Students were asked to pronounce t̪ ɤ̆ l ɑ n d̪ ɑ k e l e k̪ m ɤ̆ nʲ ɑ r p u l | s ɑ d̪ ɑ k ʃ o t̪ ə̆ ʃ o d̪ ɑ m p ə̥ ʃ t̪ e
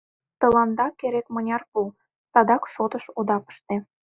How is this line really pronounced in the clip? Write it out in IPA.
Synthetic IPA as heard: t̪ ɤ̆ l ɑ n d̪ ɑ k e ɾ e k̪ m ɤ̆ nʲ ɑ r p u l | s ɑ d̪ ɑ k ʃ o t̪ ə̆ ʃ o d̪ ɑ p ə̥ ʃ t̪ e